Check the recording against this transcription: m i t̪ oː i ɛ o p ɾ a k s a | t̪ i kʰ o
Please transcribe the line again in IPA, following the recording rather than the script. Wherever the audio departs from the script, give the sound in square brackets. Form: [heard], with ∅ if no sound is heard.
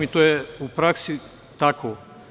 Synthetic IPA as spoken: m i t̪ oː [j] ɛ [u] p ɾ a k s [i] | t̪ [a] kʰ o